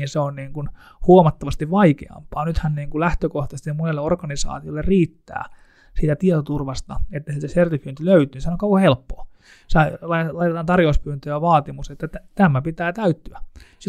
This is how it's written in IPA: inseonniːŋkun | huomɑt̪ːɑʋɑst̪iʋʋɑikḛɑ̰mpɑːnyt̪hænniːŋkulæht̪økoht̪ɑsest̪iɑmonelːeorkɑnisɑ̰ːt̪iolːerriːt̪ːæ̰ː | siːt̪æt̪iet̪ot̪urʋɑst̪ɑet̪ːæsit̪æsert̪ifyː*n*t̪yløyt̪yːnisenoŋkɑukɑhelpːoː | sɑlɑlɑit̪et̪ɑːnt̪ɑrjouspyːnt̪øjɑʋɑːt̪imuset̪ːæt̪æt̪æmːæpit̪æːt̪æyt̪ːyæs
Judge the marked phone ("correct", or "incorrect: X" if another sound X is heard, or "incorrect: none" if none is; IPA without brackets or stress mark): correct